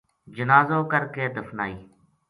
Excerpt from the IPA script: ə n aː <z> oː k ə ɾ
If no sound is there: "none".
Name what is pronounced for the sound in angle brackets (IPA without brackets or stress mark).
z